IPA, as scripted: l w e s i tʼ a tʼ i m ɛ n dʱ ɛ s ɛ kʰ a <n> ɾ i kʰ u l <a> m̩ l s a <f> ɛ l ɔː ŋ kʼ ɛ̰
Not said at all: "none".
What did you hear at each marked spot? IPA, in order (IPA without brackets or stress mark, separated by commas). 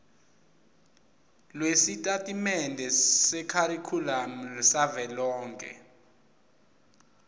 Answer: none, a, v